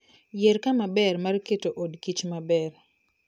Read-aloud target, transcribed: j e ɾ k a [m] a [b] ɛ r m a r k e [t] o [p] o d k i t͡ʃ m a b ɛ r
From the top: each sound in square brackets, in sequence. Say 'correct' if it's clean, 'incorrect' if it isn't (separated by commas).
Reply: correct, correct, correct, incorrect